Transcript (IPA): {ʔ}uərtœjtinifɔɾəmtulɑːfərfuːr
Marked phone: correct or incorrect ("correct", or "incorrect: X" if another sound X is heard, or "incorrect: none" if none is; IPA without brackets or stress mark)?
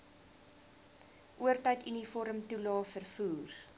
correct